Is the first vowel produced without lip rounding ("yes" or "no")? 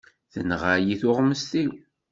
yes